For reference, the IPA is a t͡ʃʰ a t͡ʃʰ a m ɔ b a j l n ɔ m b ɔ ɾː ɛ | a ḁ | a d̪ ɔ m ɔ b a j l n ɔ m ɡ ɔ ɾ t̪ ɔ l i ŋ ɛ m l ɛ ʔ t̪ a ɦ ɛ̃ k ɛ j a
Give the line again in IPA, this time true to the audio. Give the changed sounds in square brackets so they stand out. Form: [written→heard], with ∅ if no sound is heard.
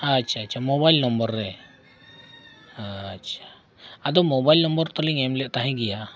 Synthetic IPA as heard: a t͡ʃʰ a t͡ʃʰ a m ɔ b a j l n ɔ m b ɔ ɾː ɛ | a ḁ | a d̪ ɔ m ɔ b a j l n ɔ m [ɡ→b] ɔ ɾ t̪ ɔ l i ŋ ɛ m l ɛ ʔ t̪ a ɦ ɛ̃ [k→ɡ] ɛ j a